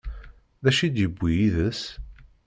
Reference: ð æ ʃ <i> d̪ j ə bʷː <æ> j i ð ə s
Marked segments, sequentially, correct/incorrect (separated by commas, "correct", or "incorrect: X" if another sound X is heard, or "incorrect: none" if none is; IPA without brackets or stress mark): correct, incorrect: i